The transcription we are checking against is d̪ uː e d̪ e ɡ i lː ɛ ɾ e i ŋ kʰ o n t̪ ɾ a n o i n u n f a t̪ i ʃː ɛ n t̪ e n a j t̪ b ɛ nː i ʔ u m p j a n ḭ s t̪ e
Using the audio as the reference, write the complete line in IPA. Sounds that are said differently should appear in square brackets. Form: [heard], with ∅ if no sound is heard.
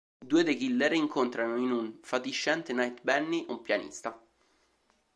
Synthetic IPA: d̪ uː e d̪ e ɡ i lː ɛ ɾ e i ŋ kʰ o n t̪ ɾ a n o i n u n f a t̪ i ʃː ɛ n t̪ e n a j t̪ b ɛ nː i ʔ u m p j a n ḭ s t̪ [a]